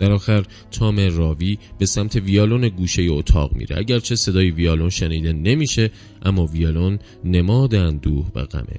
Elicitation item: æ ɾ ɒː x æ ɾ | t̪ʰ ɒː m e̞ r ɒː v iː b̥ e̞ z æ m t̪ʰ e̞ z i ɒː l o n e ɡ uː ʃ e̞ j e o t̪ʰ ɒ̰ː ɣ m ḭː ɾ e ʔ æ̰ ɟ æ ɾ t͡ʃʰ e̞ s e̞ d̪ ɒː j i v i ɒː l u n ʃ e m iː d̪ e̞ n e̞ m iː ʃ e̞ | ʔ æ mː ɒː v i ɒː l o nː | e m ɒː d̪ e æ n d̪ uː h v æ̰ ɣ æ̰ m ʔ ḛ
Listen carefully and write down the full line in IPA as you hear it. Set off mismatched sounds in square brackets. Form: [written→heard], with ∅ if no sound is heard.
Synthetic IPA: æ ɾ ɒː x æ ɾ | t̪ʰ ɒː m e̞ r ɒː v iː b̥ e̞ [z→s] æ m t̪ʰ e̞ [z→v] i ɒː l o n e ɡ uː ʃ e̞ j e o t̪ʰ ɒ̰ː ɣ m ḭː ɾ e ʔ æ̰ ɟ æ ɾ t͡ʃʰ e̞ s e̞ d̪ ɒː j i v i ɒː l [u→o] n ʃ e [m→n] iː d̪ e̞ n e̞ m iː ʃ e̞ | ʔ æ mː ɒː v i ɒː l o nː | e m ɒː d̪ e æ n d̪ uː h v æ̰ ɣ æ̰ m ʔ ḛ